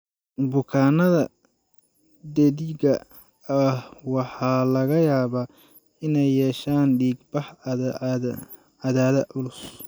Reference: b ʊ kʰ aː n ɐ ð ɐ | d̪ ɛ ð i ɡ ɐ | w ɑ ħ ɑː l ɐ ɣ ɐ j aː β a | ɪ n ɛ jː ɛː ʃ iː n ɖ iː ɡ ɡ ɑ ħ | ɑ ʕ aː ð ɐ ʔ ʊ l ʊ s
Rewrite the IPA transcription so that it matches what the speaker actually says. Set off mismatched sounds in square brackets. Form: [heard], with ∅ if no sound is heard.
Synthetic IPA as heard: b ʊ kʰ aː n ɐ ð ɐ | d̪ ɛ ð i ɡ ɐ | w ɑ ħ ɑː l ɐ ɣ ɐ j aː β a | ɪ n ɛ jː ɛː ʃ [aː] n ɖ iː ɡ [b] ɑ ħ | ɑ [ð] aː ð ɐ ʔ ʊ l ʊ s